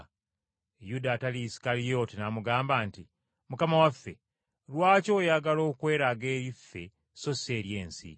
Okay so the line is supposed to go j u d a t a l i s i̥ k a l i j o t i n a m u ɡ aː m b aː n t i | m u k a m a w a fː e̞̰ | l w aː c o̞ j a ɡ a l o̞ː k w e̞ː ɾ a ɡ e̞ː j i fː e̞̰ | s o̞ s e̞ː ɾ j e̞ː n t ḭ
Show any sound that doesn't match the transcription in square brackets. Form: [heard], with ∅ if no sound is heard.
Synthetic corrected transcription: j u d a t a l i s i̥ k a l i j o t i n a m u ɡ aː m b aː n t i | m u k a m a w a fː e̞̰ | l w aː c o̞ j a ɡ a l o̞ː k w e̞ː ɾ a ɡ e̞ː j i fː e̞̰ | s o̞ s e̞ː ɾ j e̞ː n [s] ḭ